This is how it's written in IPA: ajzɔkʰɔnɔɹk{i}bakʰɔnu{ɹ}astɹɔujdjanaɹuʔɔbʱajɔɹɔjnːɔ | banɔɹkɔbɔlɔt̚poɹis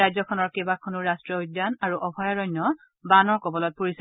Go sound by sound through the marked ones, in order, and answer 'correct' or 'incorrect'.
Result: incorrect, correct

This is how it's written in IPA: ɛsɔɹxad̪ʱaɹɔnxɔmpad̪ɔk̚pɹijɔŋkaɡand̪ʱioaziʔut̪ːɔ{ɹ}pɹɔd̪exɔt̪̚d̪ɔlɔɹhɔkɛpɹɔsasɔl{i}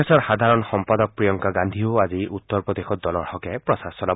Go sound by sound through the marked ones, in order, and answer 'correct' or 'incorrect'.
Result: correct, incorrect

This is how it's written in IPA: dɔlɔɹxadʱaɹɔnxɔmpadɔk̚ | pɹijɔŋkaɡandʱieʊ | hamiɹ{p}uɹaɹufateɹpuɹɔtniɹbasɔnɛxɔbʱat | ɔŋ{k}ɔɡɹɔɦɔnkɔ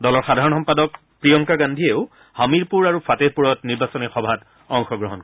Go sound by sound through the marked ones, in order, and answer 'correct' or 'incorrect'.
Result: correct, incorrect

